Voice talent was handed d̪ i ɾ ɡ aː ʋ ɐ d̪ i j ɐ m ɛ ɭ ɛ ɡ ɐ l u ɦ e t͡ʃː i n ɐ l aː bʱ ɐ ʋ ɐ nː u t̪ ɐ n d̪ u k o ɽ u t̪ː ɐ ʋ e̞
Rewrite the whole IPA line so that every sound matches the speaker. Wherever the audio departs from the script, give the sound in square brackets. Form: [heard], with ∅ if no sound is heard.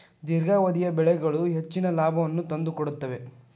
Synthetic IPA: d̪ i ɾ ɡ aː ʋ ɐ d̪ i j ɐ [b] ɛ ɭ ɛ ɡ ɐ [ɭ] u ɦ e t͡ʃː i n ɐ l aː bʱ ɐ ʋ ɐ nː u t̪ ɐ n d̪ u k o ɽ u t̪ː ɐ ʋ e̞